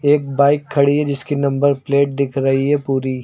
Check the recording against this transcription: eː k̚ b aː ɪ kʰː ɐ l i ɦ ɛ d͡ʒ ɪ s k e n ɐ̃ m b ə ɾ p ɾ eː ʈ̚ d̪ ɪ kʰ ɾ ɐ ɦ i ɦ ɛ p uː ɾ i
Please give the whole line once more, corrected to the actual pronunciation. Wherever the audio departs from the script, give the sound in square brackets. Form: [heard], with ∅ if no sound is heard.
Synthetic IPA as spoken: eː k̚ b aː ɪ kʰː ɐ [ɽ] i ɦ ɛ d͡ʒ ɪ s k [i] n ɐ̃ m b ə ɾ p [l] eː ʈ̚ d̪ ɪ kʰ ɾ ɐ ɦ i ɦ ɛ p uː ɾ i